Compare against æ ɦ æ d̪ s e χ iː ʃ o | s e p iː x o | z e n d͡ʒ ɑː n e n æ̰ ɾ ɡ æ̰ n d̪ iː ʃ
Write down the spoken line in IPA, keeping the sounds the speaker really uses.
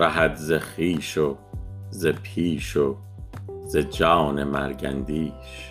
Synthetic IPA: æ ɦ æ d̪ z e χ iː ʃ o | z e pʰ iː ʃ o | z e d͡ʒ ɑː n e m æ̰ ɾ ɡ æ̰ n d̪ iː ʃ